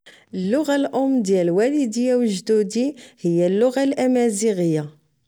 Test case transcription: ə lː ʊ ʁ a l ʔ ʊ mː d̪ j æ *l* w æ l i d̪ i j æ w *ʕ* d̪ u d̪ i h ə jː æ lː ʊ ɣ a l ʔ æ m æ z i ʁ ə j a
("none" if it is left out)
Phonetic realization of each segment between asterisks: l, ʒ

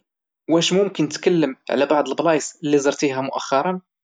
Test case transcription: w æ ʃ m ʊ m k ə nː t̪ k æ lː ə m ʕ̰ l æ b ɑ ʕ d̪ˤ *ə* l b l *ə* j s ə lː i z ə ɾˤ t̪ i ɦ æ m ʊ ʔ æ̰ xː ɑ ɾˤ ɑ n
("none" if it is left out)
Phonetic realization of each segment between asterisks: ə, ɑ

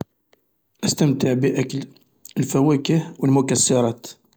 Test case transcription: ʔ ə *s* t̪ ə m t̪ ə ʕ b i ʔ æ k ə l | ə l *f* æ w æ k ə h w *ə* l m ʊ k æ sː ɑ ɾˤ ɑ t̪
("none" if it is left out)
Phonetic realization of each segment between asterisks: s, f, ə

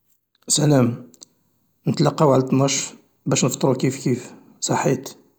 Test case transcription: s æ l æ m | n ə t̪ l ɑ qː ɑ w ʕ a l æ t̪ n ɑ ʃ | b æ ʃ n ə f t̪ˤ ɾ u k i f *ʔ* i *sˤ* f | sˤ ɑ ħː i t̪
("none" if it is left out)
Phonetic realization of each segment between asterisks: k, none

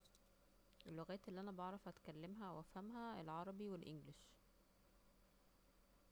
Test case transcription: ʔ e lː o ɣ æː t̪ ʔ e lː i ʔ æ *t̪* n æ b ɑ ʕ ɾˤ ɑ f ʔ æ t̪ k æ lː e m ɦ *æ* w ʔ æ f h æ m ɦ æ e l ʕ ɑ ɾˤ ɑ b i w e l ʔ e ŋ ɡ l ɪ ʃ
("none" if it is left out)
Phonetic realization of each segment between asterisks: none, æ

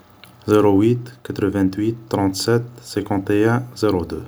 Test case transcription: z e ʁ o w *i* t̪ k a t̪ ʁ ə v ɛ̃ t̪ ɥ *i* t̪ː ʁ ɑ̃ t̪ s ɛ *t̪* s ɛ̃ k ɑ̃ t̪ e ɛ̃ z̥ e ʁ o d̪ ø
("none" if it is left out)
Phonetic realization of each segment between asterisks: i, i, t̪

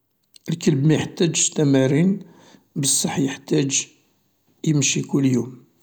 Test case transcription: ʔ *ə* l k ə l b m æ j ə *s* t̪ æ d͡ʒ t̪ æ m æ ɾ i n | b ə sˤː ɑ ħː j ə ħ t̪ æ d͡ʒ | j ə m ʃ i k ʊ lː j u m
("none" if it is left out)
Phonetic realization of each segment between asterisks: ə, ħ

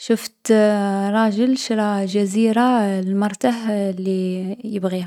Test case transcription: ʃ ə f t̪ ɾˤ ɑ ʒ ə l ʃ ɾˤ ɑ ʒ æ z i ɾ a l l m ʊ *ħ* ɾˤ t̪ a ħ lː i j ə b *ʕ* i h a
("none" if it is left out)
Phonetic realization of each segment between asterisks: none, ɣ

